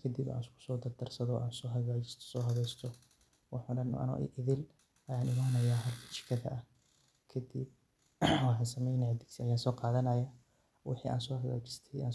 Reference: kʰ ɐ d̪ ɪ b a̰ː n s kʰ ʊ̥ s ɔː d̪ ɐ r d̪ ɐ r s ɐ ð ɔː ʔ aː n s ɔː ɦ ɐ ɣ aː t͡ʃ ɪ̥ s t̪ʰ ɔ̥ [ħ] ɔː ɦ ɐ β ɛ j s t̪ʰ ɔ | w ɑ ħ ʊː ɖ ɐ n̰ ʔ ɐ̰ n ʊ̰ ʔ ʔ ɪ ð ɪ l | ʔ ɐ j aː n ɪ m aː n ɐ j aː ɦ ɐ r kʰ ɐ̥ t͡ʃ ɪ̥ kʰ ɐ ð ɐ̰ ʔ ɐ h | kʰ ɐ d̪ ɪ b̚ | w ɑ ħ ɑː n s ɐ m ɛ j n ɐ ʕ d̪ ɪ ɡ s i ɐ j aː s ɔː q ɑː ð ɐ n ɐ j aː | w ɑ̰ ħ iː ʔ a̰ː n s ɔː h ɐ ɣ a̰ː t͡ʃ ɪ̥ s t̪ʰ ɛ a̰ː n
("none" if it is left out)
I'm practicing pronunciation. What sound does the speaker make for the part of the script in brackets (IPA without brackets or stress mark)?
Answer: s